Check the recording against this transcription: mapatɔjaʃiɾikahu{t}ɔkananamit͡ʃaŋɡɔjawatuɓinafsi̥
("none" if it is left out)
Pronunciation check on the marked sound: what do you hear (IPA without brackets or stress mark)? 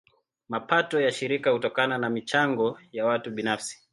t